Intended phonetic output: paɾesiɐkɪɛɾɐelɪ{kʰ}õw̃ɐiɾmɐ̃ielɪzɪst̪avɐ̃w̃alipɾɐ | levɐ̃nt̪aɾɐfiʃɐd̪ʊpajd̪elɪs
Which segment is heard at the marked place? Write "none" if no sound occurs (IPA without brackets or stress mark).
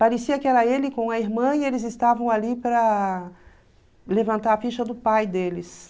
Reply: k